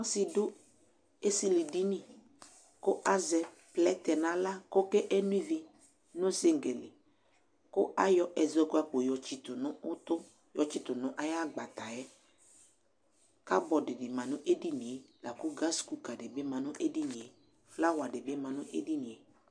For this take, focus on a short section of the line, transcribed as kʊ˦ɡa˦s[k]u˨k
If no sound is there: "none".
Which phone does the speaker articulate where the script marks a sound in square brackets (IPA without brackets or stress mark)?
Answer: k